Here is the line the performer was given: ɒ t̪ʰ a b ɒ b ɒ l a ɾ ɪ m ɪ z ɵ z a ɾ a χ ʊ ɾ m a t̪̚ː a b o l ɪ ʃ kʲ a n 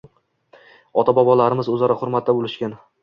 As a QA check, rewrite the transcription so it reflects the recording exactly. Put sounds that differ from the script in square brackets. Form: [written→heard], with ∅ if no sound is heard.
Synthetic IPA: ɒ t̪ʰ a b ɒ b ɒ l a ɾ ɪ m ɪ z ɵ z a ɾ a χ ʊ ɾ m a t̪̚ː a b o l ɪ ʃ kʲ a n